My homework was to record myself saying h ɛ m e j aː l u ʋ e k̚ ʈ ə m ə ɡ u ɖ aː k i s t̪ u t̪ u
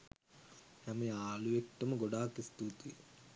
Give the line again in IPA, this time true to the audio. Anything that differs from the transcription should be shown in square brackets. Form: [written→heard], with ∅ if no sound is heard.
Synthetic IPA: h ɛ m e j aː l u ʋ e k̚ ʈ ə m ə ɡ [u→o] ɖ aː k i s t̪ u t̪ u